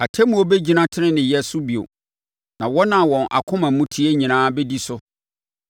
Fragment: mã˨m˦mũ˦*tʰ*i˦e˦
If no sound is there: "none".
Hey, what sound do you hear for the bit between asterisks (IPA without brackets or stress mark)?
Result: tʰ